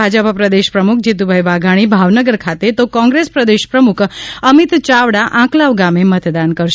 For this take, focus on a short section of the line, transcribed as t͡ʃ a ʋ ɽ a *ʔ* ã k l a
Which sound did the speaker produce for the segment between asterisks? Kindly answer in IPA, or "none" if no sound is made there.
ʔ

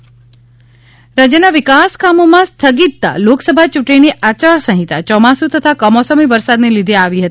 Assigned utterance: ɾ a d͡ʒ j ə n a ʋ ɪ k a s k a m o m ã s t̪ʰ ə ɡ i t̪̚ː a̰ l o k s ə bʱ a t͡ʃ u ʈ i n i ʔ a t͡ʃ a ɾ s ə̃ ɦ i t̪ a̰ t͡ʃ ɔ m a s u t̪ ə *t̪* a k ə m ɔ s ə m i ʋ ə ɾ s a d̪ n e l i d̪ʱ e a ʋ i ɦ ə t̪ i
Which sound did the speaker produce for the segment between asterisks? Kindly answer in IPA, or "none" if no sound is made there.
t̪ʰ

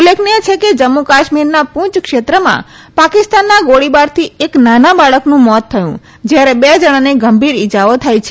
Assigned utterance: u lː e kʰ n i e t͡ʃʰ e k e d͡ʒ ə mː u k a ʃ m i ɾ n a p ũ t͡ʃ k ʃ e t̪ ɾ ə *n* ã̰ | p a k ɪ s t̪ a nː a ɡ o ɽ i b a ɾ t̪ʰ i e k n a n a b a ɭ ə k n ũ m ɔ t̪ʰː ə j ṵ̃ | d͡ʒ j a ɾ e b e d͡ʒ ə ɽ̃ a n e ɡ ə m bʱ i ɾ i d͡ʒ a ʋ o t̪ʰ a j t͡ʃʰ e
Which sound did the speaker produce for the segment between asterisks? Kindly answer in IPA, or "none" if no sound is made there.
m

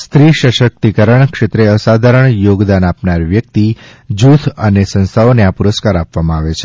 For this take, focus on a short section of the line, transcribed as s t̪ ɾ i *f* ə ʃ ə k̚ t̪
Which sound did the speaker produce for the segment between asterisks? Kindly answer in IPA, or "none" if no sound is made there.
ʃ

